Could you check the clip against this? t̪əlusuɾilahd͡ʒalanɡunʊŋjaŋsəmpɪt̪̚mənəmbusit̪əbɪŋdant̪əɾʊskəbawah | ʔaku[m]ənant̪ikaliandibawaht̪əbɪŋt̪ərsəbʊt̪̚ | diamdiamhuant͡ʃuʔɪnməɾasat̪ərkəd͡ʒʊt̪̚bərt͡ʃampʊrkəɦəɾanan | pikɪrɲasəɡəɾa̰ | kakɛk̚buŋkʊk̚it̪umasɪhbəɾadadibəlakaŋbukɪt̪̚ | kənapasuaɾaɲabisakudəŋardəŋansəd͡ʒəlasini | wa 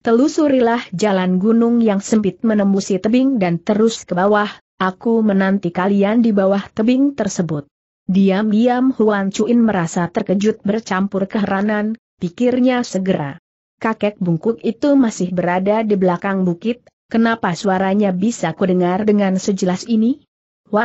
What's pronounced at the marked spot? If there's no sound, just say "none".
m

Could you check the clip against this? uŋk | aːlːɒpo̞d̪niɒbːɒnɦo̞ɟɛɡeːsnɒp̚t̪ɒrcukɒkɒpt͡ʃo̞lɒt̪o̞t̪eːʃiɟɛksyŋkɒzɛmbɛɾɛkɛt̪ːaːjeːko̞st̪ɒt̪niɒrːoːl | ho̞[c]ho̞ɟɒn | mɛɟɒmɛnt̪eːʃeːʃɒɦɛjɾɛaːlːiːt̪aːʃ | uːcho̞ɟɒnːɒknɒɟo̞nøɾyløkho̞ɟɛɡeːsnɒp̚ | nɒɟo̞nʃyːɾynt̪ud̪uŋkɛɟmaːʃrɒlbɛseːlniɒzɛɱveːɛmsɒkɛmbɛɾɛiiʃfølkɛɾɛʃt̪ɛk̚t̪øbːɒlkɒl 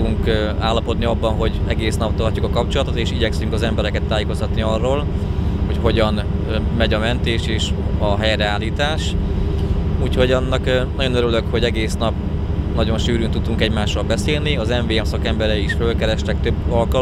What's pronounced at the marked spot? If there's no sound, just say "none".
c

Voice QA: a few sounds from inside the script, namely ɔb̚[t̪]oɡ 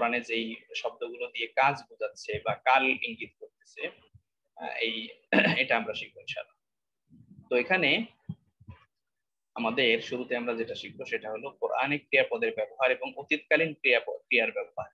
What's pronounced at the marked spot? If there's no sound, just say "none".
d̪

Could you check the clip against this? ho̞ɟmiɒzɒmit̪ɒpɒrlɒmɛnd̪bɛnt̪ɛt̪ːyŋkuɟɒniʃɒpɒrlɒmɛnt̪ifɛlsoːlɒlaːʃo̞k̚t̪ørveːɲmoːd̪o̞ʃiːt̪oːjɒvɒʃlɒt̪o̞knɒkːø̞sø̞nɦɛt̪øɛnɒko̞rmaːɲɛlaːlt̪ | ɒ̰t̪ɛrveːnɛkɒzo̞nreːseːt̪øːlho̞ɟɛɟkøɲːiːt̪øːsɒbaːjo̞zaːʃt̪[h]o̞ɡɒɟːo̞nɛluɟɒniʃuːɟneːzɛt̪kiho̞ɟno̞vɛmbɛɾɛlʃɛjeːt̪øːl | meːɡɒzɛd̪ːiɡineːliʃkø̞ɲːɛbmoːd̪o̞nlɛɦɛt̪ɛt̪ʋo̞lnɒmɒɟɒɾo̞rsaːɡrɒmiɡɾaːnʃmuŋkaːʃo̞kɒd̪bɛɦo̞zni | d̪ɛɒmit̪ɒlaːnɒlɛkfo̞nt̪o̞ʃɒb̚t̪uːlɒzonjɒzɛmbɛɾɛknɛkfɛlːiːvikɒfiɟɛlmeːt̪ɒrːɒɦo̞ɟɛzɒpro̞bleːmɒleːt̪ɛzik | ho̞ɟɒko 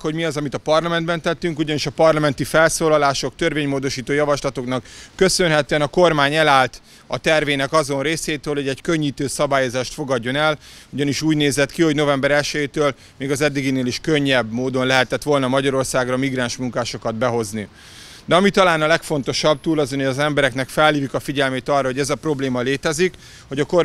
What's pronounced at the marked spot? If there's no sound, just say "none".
f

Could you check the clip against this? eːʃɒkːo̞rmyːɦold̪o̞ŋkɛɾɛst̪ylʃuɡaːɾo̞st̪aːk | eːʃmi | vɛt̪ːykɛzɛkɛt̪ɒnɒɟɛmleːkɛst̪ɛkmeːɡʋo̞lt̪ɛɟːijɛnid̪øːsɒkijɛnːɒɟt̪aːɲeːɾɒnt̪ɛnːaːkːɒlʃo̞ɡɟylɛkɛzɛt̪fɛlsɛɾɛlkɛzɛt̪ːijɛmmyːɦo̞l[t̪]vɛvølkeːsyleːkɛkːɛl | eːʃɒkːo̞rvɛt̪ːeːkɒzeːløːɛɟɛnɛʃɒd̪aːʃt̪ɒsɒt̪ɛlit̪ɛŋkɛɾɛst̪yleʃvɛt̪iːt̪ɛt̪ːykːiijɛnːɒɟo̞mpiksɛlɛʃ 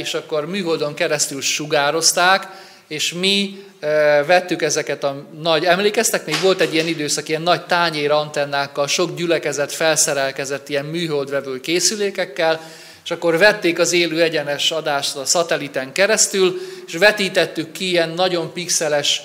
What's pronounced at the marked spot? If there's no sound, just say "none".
d̪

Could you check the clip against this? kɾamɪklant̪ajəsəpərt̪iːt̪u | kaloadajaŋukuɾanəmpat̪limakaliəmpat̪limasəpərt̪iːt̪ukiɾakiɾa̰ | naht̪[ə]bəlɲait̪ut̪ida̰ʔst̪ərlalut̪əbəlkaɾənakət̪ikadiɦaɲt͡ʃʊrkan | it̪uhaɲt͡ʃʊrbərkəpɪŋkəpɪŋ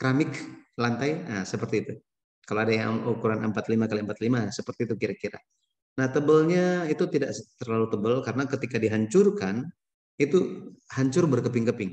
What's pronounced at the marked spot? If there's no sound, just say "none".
ə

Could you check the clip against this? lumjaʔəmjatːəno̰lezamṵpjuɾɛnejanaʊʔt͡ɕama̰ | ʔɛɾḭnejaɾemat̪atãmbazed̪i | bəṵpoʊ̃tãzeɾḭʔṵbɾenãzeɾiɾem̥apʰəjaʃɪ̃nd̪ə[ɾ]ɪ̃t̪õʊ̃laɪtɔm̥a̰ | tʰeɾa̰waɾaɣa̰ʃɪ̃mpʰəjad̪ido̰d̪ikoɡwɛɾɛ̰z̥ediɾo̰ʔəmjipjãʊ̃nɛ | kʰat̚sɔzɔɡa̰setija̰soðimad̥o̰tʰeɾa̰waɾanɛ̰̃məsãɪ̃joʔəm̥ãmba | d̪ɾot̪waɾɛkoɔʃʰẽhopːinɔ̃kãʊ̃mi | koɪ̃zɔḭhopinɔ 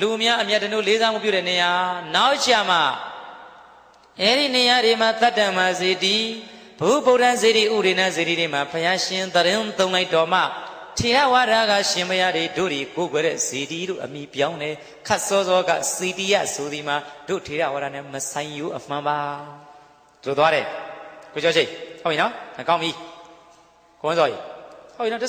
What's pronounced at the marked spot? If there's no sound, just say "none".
ɾ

